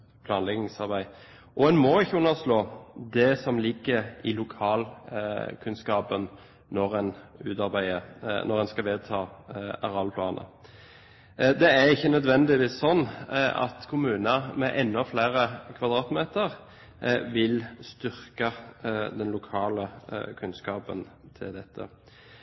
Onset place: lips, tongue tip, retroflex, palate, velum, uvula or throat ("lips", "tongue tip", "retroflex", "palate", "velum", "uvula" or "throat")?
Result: lips